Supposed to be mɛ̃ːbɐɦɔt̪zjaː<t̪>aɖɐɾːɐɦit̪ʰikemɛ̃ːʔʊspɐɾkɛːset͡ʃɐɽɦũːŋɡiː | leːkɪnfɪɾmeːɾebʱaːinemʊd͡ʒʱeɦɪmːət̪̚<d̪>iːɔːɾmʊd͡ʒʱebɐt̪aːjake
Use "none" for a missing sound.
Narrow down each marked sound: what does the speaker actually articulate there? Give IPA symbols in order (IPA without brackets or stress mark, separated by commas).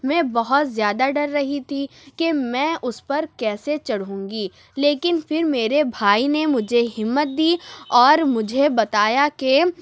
d̪, d̪